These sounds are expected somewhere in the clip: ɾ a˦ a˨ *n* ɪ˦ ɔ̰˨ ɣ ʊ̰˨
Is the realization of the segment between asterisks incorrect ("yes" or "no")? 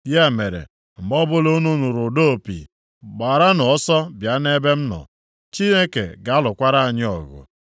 yes